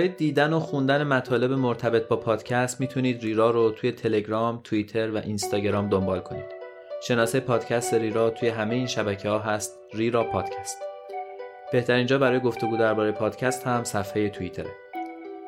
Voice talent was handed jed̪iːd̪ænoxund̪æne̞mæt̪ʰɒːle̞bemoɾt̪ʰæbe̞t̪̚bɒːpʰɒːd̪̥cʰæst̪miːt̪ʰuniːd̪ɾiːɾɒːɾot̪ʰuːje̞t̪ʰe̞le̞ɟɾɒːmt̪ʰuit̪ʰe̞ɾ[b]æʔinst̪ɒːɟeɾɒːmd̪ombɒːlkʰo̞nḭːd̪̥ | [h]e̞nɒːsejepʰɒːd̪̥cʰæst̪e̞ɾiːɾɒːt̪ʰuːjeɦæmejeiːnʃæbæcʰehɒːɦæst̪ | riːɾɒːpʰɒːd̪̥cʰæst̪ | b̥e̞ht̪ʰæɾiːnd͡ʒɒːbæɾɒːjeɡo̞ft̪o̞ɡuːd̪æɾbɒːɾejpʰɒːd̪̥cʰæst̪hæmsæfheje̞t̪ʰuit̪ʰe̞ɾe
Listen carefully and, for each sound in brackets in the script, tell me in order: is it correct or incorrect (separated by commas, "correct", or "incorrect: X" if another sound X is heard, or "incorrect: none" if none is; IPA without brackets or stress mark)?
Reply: incorrect: v, incorrect: ʃ